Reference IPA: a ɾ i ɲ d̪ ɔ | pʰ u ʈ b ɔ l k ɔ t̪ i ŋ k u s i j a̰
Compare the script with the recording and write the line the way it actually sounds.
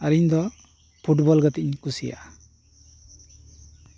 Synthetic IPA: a ɾ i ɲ d̪ ɔ | pʰ u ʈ b ɔ l ɡ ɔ t̪ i ɲ k u s i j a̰